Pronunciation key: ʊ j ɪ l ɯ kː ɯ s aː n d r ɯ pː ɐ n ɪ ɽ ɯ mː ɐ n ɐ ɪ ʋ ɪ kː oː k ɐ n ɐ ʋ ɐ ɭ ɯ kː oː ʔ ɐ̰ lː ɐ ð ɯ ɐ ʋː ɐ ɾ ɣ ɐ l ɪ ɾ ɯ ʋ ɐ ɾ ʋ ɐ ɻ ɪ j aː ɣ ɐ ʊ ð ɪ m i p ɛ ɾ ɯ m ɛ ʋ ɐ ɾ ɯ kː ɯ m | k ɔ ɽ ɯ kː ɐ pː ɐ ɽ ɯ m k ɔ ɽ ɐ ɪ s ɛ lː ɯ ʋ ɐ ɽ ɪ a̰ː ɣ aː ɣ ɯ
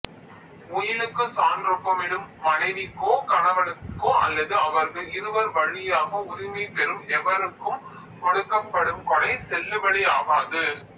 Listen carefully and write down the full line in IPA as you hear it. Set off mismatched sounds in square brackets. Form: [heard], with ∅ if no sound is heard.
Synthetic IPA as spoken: ʊ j ɪ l ɯ kː ɯ s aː n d r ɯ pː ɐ [m] ɪ ɽ ɯ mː ɐ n ɐ ɪ ʋ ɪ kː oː k ɐ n ɐ ʋ ɐ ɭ ɯ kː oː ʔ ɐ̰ lː ɐ ð ɯ ɐ [ʋ] ɐ ɾ ɣ ɐ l ɪ ɾ ɯ ʋ ɐ ɾ ʋ ɐ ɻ ɪ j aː ɣ ɐ ʊ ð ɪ m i p ɛ ɾ ɯ m ɛ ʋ ɐ ɾ ɯ kː ɯ m | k ɔ ɽ ɯ kː ɐ pː ɐ ɽ ɯ m k ɔ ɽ ɐ ɪ s ɛ lː ɯ ʋ ɐ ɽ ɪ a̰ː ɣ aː [ð] ɯ